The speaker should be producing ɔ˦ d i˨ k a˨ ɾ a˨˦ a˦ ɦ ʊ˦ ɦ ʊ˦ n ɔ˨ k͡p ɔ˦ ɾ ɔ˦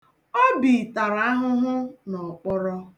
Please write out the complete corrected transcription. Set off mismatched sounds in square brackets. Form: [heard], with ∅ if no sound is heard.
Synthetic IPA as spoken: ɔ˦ [b] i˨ [t] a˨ ɾ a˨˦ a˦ ɦ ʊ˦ ɦ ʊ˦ n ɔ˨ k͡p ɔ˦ ɾ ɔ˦